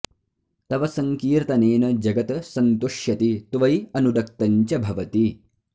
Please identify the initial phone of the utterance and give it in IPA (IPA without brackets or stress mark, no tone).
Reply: t̪